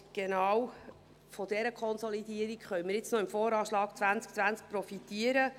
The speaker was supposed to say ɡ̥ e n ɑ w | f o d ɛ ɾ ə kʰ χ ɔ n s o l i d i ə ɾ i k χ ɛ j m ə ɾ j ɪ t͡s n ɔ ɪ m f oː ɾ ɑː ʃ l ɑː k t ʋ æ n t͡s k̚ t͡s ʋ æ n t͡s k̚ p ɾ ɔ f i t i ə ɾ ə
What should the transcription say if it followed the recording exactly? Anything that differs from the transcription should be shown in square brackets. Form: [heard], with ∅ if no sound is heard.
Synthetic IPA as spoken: ɡ̥ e n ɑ w | f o d ɛ ɾ ə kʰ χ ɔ n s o l i d i ə ɾ i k χ [œ] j m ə ɾ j ɪ t͡s n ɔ ɪ m f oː ɾ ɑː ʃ l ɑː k [t͡s] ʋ æ n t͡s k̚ t͡s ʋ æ n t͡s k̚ p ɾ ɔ f i t i ə ɾ ə

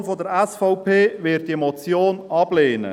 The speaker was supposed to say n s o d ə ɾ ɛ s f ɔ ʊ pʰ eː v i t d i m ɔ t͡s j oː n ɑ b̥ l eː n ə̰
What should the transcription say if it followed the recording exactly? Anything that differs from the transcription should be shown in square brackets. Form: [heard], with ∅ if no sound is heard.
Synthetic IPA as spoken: n [f] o d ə ɾ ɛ s f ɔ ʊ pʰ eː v [ɪ] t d i m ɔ t͡s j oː n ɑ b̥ l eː n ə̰

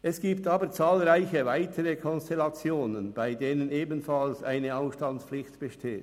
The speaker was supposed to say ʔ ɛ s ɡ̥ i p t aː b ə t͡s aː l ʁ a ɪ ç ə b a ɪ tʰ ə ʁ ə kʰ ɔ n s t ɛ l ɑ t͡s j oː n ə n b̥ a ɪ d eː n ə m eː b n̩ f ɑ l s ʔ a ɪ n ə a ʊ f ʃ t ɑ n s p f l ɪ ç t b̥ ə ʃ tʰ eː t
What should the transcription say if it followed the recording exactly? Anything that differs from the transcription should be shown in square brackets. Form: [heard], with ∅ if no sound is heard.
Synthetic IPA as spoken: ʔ ɛ s ɡ̥ [iː] p t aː b ə t͡s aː l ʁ a ɪ ç ə [v] a ɪ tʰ ə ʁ ə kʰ ɔ n s t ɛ l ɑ t͡s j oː n ə n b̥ a ɪ d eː n ə [n] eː b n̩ f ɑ l s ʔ a ɪ n ə a ʊ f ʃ t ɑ n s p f l ɪ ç t b̥ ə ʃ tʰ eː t

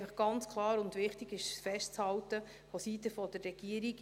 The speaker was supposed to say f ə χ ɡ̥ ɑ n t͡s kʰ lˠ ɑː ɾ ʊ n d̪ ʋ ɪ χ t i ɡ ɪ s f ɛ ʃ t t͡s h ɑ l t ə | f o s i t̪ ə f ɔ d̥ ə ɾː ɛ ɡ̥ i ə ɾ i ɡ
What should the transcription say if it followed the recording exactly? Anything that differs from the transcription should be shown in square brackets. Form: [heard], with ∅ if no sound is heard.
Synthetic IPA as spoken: f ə χ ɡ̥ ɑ n t͡s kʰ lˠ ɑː ɾ ʊ n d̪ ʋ ɪ χ t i ɡ ɪ [ʃ] f ɛ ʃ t t͡s h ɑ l t ə | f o s i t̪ ə f ɔ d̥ ə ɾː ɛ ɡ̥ i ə ɾ i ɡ

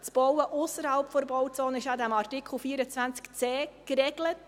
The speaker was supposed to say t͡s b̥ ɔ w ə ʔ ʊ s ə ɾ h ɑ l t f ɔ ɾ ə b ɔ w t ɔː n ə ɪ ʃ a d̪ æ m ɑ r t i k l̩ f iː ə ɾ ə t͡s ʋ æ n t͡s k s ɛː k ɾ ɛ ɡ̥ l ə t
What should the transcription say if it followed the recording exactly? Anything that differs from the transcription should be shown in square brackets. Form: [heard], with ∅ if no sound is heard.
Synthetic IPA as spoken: t͡s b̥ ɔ w ə ʔ ʊ s ə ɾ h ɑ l [p] f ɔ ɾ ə b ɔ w [t͡s] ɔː n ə ɪ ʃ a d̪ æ m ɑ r t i k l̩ f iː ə ɾ ə t͡s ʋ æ n t͡s k [t͡s] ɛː k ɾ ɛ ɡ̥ l ə t

